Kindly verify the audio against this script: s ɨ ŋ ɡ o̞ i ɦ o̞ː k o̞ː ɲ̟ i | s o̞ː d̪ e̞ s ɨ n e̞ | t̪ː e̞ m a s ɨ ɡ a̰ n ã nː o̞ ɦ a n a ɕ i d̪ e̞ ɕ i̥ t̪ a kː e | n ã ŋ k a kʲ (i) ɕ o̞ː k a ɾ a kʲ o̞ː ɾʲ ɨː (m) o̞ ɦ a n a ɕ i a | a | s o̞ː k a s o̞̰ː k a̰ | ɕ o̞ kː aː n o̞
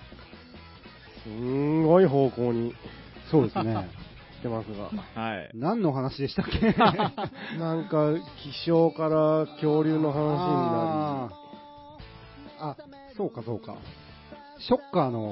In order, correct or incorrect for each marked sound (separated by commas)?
correct, incorrect